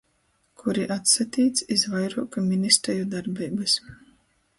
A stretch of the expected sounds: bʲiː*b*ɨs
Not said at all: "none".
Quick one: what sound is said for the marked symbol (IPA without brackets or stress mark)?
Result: b